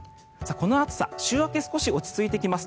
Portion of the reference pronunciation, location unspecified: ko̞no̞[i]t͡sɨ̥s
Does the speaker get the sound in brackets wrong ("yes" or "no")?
yes